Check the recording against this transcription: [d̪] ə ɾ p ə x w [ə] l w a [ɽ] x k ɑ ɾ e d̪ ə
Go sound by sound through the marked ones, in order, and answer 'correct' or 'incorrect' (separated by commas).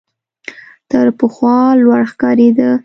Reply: incorrect, incorrect, correct